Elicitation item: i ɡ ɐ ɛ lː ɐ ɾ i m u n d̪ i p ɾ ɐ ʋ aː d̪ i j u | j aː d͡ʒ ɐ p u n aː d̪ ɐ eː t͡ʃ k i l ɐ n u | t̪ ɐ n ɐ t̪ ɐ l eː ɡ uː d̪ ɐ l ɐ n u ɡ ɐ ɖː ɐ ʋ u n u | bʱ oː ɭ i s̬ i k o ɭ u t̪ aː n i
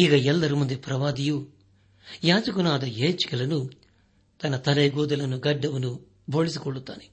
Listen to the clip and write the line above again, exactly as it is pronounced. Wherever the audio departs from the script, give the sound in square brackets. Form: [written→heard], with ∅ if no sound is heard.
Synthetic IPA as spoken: i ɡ ɐ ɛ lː ɐ ɾ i m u n d̪ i p ɾ ɐ ʋ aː d̪ i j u | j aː d͡ʒ ɐ [p→k] u n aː d̪ ɐ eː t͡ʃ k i l ɐ n u | t̪ ɐ n ɐ t̪ ɐ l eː ɡ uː d̪ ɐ l ɐ n u ɡ ɐ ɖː ɐ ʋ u n u | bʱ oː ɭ i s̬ i k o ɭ u t̪ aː n i